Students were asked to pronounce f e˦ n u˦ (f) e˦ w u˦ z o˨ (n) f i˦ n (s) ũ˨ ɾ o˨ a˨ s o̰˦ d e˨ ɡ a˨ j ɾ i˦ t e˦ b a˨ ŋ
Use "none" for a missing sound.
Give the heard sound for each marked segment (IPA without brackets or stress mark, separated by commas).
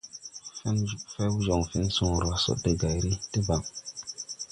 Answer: f, ŋ, s